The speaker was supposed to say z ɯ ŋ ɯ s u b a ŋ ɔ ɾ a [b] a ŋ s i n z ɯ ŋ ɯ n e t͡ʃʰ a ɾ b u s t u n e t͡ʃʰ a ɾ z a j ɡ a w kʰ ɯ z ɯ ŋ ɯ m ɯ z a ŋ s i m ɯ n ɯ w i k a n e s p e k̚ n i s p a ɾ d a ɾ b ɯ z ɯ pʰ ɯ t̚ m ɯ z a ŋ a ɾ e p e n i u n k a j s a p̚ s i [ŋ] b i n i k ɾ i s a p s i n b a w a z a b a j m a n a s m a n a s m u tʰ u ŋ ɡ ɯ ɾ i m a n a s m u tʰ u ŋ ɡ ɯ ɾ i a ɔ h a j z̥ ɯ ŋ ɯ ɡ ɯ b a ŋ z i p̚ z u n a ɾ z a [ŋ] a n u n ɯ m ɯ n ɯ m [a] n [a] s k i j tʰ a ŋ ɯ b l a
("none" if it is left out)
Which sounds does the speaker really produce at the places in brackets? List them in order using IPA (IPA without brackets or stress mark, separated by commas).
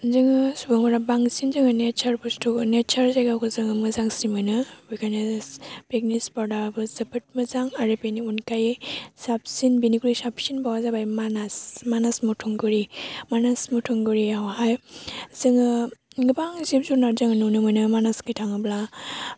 b, n, ŋ, a, a